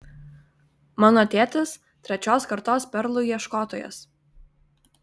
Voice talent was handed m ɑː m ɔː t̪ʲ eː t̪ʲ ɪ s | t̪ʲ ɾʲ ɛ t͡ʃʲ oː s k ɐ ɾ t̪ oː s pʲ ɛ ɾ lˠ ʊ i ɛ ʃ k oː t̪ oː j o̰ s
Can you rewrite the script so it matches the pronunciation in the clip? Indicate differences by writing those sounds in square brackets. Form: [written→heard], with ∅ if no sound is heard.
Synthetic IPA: m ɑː [m→n] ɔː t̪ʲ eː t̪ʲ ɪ s | t̪ʲ ɾʲ ɛ t͡ʃʲ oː s k ɐ ɾ t̪ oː s pʲ ɛ ɾ lˠ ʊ i ɛ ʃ k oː t̪ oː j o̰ s